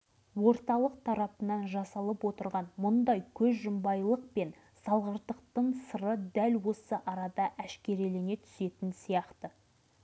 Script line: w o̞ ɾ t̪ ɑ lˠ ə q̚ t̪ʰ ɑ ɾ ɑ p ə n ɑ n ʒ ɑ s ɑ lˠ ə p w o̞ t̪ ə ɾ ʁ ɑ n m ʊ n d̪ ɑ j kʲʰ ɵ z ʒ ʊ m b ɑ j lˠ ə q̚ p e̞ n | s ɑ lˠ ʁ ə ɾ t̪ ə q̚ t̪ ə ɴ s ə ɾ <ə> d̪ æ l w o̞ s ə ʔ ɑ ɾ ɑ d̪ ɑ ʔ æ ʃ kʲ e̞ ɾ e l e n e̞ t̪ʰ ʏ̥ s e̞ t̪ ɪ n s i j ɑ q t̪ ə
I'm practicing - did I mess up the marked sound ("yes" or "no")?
no